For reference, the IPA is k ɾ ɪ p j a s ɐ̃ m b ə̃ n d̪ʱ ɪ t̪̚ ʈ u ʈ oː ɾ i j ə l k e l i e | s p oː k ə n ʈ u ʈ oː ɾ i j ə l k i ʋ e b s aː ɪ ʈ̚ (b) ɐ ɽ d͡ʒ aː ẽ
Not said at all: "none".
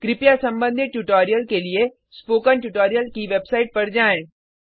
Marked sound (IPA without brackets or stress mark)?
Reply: p